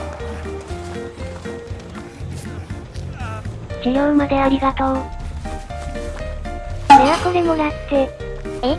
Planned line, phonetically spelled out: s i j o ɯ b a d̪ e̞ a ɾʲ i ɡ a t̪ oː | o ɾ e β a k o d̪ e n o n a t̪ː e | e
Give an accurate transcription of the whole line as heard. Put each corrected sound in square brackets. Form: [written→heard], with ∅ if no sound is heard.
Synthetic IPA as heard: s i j o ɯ [b→m] a d̪ e̞ a ɾʲ i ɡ a t̪ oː | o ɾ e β a k o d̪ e [n→m] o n a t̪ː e | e

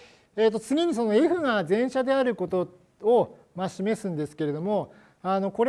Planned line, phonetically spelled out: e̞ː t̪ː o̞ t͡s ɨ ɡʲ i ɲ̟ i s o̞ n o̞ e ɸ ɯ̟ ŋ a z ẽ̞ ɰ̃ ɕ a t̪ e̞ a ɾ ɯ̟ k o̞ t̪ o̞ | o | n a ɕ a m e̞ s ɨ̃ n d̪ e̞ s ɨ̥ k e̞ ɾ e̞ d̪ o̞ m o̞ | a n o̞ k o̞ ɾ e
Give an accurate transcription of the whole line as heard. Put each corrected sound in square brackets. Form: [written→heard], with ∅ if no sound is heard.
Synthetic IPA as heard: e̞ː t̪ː o̞ t͡s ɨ ɡʲ i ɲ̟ i s o̞ n o̞ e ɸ ɯ̟ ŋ a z ẽ̞ ɰ̃ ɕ a [t̪→d̪] e̞ a ɾ ɯ̟ k o̞ t̪ o̞ | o | [n→m] a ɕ [a→i] m e̞ s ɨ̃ n d̪ e̞ s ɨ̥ k e̞ ɾ e̞ d̪ o̞ m o̞ | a n o̞ k o̞ ɾ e

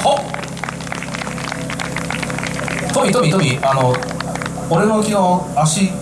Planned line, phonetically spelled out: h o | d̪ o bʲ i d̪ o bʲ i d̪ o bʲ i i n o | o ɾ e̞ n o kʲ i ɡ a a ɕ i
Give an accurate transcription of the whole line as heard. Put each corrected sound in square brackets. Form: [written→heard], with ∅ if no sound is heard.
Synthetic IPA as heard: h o | [d̪→t̪] o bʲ i [d̪→t̪] o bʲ i [d̪→t̪] o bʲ i [i→a] n o | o ɾ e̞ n o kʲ i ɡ a a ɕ i

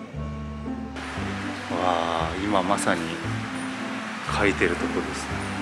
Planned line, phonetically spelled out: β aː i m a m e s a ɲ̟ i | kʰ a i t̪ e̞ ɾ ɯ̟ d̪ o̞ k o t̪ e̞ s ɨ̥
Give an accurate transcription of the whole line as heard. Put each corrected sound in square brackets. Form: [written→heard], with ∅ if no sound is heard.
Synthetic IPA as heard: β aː i m a m [e→a] s a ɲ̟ i | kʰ a i t̪ e̞ ɾ ɯ̟ [d̪→t̪] o̞ k o [t̪→d̪] e̞ s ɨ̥

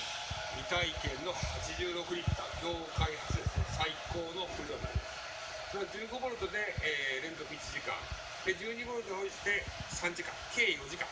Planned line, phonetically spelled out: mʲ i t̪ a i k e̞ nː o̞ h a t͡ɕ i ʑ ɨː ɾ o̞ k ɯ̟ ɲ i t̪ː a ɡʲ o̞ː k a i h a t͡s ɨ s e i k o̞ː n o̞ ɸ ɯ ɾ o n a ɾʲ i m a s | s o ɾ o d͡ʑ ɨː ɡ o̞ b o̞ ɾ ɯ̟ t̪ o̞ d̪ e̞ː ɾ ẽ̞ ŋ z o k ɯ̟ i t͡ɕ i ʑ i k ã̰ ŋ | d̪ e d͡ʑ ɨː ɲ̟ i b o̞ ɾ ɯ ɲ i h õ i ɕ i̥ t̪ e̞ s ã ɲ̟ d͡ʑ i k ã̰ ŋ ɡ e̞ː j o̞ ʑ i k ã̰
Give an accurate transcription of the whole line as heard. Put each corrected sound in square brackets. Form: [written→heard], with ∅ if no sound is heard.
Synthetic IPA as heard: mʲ i t̪ a i k [e̞→ẽ̞] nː o̞ h a t͡ɕ i ʑ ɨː ɾ o̞ k ɯ̟ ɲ i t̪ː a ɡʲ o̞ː k a i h a t͡s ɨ s [e→a] i k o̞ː n o̞ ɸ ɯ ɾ o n a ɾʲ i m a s | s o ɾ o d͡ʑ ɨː ɡ o̞ b o̞ ɾ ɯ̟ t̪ o̞ d̪ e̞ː ɾ ẽ̞ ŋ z o k ɯ̟ i t͡ɕ i ʑ i k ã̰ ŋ | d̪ e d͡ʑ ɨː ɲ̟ i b o̞ ɾ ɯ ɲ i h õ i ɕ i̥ t̪ e̞ s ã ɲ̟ d͡ʑ i k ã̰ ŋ [ɡ→k] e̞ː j o̞ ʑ i k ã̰

